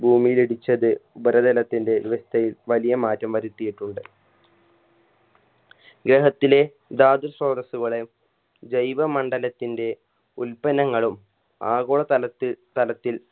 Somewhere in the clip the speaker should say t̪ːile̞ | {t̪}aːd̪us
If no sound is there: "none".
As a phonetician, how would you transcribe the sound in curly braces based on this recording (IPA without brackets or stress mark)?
d̪